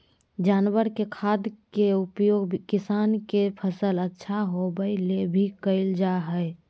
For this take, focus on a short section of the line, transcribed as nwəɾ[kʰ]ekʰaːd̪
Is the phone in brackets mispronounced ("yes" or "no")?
yes